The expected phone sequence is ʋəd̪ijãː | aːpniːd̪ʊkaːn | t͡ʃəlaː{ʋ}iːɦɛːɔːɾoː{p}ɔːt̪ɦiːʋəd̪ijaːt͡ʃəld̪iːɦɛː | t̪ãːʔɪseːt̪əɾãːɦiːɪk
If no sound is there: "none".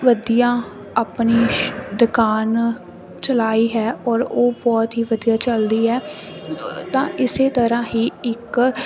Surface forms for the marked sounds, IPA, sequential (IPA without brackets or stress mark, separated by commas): none, b